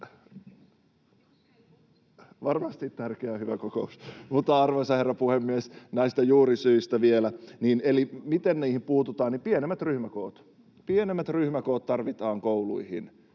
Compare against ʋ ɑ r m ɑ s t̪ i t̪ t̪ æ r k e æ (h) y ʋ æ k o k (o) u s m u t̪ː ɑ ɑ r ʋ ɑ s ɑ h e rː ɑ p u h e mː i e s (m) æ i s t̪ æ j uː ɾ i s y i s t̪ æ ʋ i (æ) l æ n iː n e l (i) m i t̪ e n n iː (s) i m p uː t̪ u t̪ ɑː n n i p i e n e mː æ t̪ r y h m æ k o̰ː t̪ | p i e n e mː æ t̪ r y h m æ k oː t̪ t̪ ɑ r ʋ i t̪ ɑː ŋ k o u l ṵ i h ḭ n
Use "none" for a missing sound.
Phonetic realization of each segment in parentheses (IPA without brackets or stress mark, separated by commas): h, o, n, e, i, h